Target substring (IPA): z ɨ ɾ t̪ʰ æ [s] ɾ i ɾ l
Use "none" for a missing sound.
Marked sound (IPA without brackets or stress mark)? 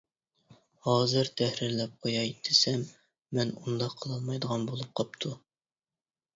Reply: h